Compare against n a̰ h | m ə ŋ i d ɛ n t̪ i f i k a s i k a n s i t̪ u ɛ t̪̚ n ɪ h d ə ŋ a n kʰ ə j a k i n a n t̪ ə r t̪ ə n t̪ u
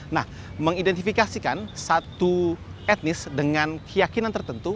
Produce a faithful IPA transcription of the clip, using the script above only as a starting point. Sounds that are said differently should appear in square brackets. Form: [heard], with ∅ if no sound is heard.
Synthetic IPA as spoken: n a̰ h | m ə ŋ i d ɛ n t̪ i f i k a s i k a n s [a] t̪ u ɛ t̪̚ n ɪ [s] d ə ŋ a n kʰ ə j a k i n a n t̪ ə r t̪ ə n t̪ u

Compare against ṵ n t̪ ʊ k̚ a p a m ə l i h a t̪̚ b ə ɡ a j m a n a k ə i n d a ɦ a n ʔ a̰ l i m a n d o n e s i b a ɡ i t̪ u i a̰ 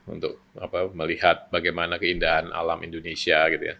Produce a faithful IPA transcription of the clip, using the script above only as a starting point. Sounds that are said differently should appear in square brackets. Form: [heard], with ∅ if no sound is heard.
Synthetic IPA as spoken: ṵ n t̪ ʊ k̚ a p a m ə l i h a t̪̚ b [a] ɡ a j m a n a k ə i n d a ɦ a n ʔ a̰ l [a] m [i] n d o n e s i [∅] a ɡ i t̪ u [j] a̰

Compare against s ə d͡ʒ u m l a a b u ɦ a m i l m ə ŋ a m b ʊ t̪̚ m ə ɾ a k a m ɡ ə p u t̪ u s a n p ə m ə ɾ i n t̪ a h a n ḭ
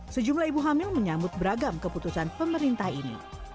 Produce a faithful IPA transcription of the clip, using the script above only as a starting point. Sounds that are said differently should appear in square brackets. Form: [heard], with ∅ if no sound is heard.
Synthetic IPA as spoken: s ə d͡ʒ u m l a [i] b u ɦ a m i l m ə [ɲ] a m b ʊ t̪̚ [b] ə ɾ a [ɡ] a m [k] ə p u t̪ u s a n p ə m ə ɾ i n t̪ a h [i] n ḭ

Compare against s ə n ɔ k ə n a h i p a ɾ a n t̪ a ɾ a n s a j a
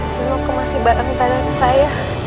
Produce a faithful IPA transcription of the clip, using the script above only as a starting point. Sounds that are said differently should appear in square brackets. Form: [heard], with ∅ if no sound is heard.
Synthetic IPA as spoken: s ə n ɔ k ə [m] a [s] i [b] a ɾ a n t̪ a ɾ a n s a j a

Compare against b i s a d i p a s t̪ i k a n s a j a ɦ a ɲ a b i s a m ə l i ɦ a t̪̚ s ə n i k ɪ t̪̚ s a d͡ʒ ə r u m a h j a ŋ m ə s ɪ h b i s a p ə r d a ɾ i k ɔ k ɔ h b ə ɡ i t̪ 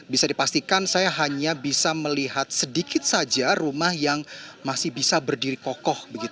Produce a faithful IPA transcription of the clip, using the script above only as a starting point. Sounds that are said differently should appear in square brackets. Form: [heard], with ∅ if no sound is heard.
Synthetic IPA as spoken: b i s a d i p a s t̪ i k a n s a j a ɦ a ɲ a b i s a m ə l i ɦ a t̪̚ s ə [d] i k ɪ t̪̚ s a d͡ʒ [a] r u m a h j a ŋ m [a] s ɪ h b i s a [b] ə r d [i] ɾ i k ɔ k ɔ h b ə ɡ i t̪

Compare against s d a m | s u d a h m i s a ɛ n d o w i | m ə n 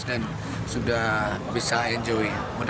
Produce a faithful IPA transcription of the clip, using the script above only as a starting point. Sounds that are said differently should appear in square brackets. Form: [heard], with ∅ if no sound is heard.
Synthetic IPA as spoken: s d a [n] | s u d a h [b] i s a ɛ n [d͡ʒ] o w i | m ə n

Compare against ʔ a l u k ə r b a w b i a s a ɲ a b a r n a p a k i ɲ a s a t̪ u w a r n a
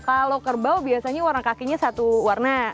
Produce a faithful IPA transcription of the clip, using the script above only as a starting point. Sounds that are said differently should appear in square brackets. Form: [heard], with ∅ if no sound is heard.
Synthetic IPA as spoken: [k] a l [o] k ə r b a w b i a s a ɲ a [w] a r n a [k] a k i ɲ a s a t̪ u w a r n a

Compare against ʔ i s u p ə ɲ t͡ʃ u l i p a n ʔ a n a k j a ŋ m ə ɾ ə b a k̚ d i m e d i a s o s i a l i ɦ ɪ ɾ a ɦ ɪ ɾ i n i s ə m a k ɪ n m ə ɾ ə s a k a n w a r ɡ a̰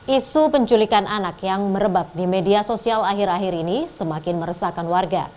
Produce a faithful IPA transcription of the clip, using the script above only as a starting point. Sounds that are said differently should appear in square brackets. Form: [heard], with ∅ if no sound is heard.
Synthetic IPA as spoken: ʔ i s u p ə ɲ t͡ʃ u l i [k] a n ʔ a n a k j a ŋ m ə ɾ ə b a k̚ d i m e d i a s o s i a l [a] ɦ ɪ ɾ a ɦ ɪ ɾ i n i s ə m a k ɪ n m ə ɾ ə s a k a n w a r ɡ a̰

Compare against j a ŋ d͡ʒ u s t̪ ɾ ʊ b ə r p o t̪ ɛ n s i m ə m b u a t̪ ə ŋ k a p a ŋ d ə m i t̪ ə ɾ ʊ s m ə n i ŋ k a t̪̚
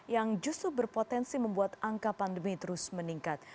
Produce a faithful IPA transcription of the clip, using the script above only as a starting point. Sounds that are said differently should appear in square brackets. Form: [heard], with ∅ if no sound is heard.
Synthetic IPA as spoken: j a ŋ d͡ʒ u s t̪ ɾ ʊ b ə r p o t̪ ɛ n s i m ə m b u a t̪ [a] ŋ k a p a [n] d ə m i t̪ ə ɾ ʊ s m ə n i ŋ k a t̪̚

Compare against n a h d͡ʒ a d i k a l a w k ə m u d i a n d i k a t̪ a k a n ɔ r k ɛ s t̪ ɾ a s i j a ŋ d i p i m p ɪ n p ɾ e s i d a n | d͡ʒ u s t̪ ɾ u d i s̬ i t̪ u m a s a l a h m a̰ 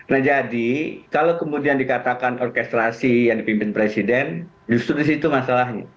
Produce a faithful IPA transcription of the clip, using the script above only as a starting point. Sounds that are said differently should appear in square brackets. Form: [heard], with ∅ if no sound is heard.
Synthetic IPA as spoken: n a h d͡ʒ a d i k a l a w k ə m u d i a n d i k a t̪ a k a n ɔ r k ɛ s t̪ ɾ a s i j a ŋ d i p i m p ɪ n p ɾ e s i d [ɛ] n | d͡ʒ u s t̪ ɾ u d i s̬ i t̪ u m a s a l a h [ɲ] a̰

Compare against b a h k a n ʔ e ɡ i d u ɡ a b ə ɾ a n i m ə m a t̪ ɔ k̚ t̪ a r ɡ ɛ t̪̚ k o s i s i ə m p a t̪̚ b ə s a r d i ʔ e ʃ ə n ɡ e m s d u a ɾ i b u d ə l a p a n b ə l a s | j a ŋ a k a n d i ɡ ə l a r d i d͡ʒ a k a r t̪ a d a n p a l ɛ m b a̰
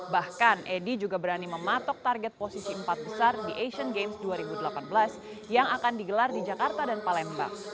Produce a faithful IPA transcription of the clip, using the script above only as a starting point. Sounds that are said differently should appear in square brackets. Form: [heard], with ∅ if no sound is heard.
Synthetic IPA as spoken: b a h k a n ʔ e [d] i [d͡ʒ] u ɡ a b ə ɾ a n i m ə m a t̪ ɔ k̚ t̪ a r ɡ ɛ t̪̚ [p] o s i s i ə m p a t̪̚ b ə s a r d i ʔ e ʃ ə n ɡ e m s d u a ɾ i b u d ə l a p a n b ə l a s | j a ŋ a k a n d i ɡ ə l a r d i d͡ʒ a k a r t̪ a d a n p a l ɛ m b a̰

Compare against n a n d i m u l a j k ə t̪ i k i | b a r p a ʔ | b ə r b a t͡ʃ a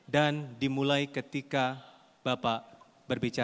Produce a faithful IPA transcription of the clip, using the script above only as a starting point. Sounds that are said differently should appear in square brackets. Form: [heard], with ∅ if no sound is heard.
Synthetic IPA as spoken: [d] a n d i m u l a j k ə t̪ i k [a] | b a [∅] p a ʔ | b ə r b [i] t͡ʃ a

